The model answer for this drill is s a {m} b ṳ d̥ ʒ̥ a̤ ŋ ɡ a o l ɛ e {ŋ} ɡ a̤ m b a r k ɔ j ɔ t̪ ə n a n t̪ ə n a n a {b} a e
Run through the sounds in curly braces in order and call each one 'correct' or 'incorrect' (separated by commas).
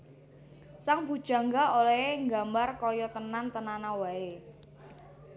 incorrect, correct, incorrect